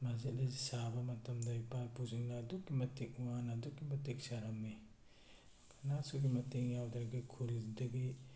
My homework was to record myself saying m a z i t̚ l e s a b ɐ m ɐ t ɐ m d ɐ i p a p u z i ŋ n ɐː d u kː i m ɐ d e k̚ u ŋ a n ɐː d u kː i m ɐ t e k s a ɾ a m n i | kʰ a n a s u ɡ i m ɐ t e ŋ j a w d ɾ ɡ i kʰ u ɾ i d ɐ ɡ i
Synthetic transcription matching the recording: m a z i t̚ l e s a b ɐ m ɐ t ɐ m d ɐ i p a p u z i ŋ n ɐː d u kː i m ɐ t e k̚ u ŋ a n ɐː d u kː i m ɐ t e k s a ɾ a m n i | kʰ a n a s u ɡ i m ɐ t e ŋ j a w d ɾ ɡ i kʰ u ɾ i d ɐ ɡ i